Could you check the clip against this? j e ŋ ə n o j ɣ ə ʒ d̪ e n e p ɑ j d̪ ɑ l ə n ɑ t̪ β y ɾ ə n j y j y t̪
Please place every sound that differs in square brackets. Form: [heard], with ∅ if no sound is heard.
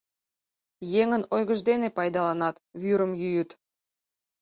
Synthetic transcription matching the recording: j e ŋ ə n o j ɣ ə ʒ d̪ e n e p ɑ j d̪ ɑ l [ɑ] n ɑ t̪ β y ɾ ə [m] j y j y t̪